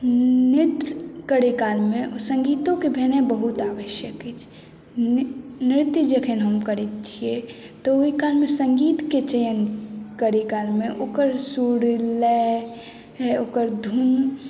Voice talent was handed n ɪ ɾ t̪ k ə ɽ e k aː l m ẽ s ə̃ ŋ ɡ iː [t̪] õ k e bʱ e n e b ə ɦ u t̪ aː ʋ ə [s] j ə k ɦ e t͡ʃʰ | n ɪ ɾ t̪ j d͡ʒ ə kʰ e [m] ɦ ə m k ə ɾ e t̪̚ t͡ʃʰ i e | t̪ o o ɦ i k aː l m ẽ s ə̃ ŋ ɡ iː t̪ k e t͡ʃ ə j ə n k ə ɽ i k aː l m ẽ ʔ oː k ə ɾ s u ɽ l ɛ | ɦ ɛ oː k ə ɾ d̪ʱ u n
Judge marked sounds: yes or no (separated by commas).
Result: yes, no, no